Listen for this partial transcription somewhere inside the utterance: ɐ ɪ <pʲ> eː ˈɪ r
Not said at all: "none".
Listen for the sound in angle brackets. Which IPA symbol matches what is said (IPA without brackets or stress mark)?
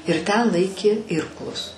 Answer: kʲ